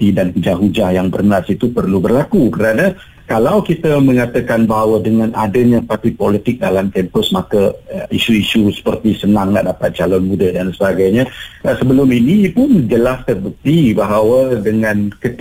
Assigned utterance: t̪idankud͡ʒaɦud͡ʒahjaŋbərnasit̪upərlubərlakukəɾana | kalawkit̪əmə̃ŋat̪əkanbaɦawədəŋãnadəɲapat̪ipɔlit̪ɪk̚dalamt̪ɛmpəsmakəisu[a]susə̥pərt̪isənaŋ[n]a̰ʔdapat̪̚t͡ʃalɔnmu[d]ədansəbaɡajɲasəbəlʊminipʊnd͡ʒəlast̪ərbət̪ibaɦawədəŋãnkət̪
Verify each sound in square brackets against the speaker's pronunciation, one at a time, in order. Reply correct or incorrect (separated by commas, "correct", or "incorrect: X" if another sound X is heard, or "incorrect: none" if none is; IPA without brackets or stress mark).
incorrect: i, correct, correct